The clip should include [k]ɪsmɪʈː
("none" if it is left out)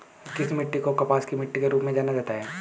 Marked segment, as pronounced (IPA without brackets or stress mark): k